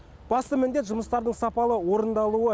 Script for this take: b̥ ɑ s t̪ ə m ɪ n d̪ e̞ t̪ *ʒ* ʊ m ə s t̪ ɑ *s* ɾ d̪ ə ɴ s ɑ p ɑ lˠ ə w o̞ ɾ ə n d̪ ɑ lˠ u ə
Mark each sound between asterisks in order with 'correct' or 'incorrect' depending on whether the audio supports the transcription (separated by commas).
correct, incorrect